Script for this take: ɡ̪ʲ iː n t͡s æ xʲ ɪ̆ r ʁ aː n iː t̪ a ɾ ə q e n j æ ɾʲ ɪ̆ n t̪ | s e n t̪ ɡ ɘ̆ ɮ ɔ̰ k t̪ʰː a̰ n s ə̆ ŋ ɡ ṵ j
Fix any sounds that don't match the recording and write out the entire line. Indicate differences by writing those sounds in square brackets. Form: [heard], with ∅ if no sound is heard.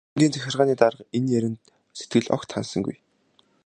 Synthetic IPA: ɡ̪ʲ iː n t͡s æ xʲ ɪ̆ r ʁ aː n iː t̪ a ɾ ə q e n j æ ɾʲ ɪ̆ n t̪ | s e [∅] t̪ ɡ ɘ̆ ɮ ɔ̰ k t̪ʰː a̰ n s ə̆ ŋ ɡ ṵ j